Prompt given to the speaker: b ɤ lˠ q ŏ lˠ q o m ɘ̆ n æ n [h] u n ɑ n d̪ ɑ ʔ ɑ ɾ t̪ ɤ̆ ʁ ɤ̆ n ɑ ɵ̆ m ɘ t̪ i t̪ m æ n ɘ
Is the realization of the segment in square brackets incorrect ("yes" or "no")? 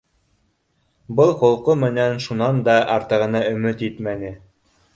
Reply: yes